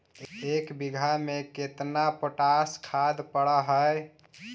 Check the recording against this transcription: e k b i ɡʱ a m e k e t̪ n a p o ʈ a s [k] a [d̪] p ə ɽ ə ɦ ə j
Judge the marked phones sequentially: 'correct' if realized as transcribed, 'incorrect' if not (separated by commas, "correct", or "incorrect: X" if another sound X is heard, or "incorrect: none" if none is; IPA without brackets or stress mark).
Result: incorrect: kʰ, correct